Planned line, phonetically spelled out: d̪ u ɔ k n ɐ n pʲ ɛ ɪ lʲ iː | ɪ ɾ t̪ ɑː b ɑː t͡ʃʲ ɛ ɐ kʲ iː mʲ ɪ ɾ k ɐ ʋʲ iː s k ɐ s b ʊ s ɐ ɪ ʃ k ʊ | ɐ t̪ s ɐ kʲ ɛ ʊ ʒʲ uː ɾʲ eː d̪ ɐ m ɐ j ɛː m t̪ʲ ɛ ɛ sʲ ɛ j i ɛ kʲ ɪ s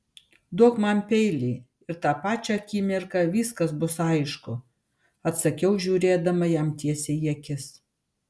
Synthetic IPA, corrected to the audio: d̪ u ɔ k m ɐ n pʲ ɛ ɪ lʲ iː | ɪ ɾ t̪ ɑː p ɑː t͡ʃʲ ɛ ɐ kʲ iː mʲ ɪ ɾ k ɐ ʋʲ iː s k ɐ s b ʊ s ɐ ɪ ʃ k ʊ | ɐ t̪ s ɐ kʲ ɛ ʊ ʒʲ uː ɾʲ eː d̪ ɐ m ɐ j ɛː m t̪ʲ i ɛ sʲ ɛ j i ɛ kʲ ɪ s